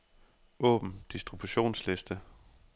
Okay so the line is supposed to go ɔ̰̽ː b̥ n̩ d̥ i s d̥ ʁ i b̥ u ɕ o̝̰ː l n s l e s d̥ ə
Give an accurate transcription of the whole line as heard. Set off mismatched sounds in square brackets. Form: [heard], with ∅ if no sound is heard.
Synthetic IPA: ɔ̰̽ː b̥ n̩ d̥ i s d̥ ʁ i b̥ u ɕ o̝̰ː [∅] n s l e s d̥ ə